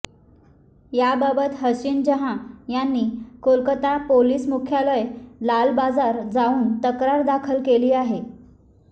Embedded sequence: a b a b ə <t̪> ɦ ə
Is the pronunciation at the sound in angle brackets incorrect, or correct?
correct